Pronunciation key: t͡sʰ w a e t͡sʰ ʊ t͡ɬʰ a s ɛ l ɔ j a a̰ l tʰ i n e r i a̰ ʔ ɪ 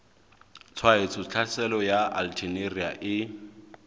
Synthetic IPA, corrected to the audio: t͡sʰ w a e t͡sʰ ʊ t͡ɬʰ a s ɛ l ɔ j a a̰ l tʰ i n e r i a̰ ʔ ɪ